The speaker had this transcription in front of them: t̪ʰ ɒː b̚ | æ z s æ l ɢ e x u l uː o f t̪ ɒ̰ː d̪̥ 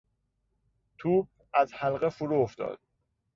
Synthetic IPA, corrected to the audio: t̪ʰ uː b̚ | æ z h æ l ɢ e f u ɾ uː o f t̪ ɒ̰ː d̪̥